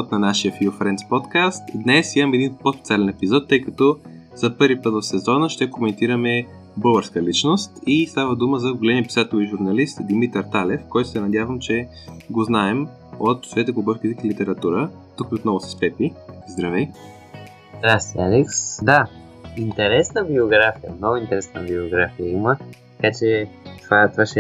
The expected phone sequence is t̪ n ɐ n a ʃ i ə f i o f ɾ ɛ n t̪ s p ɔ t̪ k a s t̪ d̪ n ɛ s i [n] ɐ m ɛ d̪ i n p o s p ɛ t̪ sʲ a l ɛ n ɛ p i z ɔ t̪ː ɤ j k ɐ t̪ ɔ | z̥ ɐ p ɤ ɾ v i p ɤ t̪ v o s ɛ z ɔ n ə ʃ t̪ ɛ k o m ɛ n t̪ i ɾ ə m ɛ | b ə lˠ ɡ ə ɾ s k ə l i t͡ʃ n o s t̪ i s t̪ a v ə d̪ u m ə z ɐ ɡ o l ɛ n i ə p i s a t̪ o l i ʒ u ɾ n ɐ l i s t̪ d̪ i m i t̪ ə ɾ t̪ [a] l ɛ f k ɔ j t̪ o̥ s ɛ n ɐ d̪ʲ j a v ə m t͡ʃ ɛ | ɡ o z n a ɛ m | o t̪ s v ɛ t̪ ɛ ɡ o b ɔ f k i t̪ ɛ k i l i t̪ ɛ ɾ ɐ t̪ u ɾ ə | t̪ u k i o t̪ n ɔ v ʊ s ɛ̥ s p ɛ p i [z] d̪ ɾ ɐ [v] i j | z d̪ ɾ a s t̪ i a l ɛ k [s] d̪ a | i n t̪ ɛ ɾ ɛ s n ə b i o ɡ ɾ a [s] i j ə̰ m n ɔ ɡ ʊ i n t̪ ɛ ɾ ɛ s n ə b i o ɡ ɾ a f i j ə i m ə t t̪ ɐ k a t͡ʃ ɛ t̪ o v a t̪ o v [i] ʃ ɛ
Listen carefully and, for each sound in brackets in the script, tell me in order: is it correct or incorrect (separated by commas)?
incorrect, correct, correct, correct, correct, incorrect, incorrect